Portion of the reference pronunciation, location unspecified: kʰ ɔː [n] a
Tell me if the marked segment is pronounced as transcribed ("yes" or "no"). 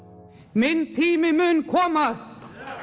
no